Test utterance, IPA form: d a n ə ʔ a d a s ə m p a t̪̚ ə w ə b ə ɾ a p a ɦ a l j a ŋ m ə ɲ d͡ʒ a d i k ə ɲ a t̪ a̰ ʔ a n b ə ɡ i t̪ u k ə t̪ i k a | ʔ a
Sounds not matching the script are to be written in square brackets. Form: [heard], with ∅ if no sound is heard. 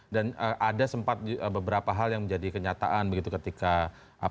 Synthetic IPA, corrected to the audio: d a n ə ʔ a d a s ə m p a t̪̚ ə [b] ə b ə ɾ a p a ɦ a l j a ŋ m ə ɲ d͡ʒ a d i k ə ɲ a t̪ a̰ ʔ a n b ə ɡ i t̪ u k ə t̪ i k a | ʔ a